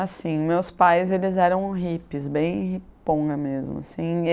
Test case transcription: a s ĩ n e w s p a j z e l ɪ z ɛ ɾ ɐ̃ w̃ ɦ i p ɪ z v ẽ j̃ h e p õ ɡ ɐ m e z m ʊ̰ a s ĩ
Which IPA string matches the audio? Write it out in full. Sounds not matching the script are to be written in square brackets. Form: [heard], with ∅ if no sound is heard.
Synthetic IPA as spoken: a s ĩ [m] e w s p a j z e l ɪ z ɛ ɾ ɐ̃ w̃ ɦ i p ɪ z [b] ẽ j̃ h [i] p õ ɡ ɐ m e z m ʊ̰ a s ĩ